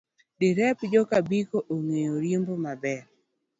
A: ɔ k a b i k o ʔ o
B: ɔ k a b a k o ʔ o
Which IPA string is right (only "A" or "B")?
A